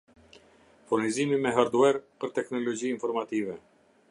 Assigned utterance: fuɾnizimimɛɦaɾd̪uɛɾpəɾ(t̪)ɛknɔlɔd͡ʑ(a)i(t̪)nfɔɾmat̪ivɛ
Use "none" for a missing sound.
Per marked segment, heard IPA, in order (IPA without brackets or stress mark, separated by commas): t̪, i, none